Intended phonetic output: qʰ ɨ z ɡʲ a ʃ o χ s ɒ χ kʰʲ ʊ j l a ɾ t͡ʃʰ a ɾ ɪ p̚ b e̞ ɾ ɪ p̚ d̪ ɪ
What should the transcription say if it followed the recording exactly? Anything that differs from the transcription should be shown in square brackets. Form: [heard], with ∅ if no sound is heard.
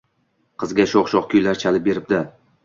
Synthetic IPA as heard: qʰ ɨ z ɡʲ a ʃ o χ [ʃ] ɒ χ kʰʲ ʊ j l a ɾ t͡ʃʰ a [l] ɪ p̚ b e̞ ɾ ɪ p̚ d̪ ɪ